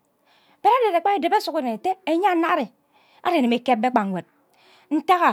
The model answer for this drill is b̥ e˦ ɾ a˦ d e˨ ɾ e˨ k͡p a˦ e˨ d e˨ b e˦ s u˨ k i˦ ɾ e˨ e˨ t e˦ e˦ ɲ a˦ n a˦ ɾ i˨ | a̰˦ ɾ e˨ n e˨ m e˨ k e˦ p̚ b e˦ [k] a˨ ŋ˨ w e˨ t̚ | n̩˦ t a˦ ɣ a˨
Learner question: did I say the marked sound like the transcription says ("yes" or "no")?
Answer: no